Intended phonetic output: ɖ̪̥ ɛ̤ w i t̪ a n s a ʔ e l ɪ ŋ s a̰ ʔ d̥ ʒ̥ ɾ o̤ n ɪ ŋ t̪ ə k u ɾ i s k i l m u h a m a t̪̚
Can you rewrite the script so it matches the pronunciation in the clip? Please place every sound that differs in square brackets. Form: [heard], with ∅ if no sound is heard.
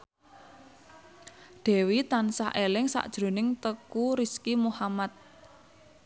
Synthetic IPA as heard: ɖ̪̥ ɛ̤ w i t̪ a n s a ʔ e l ɪ ŋ s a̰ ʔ d̥ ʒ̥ ɾ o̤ n ɪ ŋ t̪ ə k u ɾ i s k i [∅] m u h a m a t̪̚